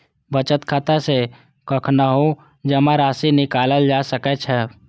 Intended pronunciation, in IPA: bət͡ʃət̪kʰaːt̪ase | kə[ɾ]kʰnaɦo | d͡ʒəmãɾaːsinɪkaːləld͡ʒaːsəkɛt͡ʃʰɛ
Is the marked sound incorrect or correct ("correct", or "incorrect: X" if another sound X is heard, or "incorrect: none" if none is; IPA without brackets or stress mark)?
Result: incorrect: none